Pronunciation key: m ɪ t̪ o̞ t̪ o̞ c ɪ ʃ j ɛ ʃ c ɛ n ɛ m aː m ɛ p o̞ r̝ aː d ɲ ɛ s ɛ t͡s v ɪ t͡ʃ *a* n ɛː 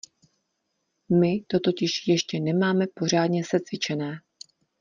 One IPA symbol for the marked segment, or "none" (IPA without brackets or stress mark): ɛ